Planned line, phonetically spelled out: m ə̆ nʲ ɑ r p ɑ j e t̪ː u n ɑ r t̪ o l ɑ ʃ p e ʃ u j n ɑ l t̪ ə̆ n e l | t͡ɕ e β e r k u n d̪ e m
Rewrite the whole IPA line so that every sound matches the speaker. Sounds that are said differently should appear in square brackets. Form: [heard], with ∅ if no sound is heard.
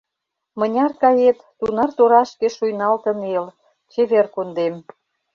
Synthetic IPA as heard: m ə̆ nʲ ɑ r [k] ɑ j e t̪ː u n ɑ r t̪ o [ɾ] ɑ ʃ [k] e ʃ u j n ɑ l t̪ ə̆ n e l | t͡ɕ e β e r k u n d̪ e m